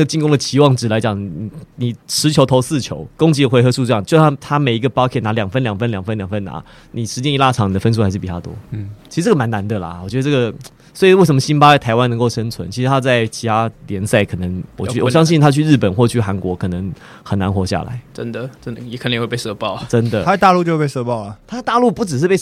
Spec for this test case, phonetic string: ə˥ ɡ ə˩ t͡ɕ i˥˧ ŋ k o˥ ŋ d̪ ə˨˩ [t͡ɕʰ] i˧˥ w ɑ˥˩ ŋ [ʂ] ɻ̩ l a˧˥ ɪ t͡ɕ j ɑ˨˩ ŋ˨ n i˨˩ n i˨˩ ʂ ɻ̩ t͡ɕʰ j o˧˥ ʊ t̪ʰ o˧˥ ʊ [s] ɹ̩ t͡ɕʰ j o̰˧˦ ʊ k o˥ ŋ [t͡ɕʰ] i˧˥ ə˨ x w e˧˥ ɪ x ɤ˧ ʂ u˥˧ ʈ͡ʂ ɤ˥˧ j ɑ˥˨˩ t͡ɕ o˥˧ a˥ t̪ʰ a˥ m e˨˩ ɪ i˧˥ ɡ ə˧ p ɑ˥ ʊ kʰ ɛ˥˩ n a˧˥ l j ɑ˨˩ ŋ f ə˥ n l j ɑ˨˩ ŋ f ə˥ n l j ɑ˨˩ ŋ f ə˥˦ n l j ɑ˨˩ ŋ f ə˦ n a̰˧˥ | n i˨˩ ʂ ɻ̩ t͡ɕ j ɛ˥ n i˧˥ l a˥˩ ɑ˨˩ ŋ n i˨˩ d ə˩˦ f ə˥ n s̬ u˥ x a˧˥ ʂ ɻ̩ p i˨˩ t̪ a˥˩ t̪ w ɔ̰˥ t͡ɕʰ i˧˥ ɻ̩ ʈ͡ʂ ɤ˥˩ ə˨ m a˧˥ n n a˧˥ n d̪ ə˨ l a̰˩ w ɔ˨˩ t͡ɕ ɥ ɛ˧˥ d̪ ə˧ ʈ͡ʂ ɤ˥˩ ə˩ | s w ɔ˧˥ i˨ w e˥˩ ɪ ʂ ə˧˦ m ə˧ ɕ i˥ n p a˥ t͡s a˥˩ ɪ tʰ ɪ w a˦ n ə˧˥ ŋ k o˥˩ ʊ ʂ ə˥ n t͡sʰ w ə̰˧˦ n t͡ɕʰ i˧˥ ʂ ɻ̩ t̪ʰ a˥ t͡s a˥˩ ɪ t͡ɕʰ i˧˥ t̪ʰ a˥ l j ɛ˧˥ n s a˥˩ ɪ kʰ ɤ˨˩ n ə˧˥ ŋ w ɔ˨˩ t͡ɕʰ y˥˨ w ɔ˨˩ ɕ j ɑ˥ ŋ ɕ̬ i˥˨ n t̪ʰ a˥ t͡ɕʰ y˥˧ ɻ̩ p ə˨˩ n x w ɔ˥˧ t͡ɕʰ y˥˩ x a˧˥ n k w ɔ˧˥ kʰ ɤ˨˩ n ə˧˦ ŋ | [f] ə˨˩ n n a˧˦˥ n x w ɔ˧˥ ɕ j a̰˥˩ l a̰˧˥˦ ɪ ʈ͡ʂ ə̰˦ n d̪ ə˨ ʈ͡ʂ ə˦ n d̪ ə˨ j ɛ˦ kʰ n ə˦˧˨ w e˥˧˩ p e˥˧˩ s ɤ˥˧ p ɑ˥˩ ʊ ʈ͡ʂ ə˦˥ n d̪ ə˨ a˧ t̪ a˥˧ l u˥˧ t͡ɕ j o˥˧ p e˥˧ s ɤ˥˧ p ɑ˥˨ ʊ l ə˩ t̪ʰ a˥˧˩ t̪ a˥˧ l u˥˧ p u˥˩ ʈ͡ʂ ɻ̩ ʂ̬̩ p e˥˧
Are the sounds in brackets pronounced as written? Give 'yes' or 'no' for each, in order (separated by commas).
yes, no, yes, no, no